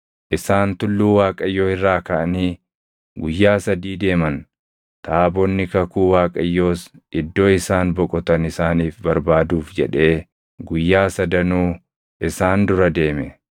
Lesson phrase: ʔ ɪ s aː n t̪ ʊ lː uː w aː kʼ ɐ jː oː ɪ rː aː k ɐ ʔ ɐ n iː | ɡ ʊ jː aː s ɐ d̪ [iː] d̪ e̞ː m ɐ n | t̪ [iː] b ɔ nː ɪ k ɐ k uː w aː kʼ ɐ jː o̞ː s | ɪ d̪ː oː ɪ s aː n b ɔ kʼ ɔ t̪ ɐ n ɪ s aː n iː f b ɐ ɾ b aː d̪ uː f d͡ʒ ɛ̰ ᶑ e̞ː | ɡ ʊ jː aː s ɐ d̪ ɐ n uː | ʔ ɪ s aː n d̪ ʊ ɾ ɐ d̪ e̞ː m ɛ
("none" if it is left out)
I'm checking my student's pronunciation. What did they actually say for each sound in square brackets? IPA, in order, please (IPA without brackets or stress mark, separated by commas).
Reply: iː, aː